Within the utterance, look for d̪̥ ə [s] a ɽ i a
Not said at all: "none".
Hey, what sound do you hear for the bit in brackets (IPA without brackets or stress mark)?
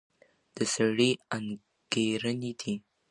s